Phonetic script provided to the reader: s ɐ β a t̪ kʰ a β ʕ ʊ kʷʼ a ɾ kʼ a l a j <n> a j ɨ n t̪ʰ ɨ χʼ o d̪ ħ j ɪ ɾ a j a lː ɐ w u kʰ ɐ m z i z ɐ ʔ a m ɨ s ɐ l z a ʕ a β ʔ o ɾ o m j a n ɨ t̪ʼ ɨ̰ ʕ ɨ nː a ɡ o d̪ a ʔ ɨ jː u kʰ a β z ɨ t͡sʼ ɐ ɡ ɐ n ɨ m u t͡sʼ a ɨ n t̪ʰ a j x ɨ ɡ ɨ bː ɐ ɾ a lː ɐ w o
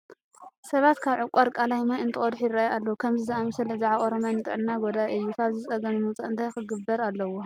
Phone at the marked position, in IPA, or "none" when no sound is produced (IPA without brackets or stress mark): m